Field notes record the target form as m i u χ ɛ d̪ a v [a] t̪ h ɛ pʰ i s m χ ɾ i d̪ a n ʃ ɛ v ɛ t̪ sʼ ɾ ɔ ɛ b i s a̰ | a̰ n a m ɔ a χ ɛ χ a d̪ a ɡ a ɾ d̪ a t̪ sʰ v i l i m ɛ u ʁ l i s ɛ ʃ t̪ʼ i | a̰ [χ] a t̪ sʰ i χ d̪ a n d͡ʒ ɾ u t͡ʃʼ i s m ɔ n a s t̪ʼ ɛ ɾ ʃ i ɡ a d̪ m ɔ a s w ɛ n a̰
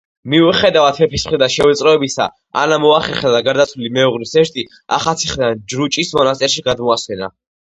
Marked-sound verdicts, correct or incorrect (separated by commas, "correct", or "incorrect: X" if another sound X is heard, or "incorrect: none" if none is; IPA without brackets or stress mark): correct, correct